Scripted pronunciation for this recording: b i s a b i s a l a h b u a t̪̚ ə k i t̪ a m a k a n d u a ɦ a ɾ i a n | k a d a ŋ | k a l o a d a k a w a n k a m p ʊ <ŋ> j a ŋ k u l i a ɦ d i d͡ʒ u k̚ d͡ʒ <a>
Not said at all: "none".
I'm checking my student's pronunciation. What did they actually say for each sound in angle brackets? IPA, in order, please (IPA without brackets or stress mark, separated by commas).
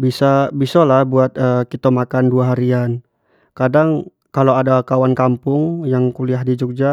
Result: ŋ, a